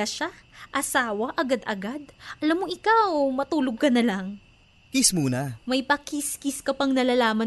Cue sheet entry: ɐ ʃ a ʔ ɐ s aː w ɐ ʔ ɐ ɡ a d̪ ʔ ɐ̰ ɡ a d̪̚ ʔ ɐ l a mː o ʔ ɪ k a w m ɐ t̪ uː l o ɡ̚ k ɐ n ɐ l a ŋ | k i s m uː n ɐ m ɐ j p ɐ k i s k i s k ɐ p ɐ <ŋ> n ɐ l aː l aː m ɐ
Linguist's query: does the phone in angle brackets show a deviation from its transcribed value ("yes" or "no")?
no